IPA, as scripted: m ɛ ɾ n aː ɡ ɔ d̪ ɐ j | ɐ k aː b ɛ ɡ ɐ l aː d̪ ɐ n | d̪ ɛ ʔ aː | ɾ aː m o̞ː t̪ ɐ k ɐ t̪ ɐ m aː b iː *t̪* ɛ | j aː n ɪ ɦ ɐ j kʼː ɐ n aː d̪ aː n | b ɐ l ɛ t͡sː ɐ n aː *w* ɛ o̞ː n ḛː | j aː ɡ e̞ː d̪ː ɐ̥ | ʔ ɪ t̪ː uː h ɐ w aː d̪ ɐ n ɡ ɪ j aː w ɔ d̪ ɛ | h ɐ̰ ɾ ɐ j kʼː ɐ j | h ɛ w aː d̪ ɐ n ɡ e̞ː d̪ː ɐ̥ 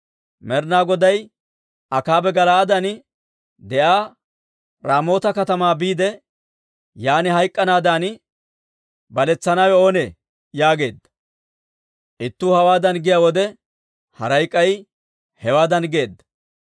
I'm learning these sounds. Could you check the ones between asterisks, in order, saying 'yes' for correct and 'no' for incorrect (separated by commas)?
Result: no, yes